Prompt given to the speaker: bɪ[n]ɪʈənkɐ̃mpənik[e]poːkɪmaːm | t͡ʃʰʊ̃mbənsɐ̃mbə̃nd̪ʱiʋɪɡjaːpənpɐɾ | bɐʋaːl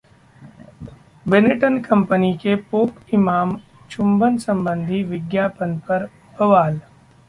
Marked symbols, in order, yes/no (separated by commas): yes, yes